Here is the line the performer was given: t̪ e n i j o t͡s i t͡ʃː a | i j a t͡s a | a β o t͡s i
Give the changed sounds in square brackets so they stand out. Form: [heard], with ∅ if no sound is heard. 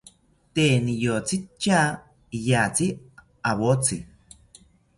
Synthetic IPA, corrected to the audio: t̪ e n i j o t͡s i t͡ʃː a | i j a t͡s [i] | a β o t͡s i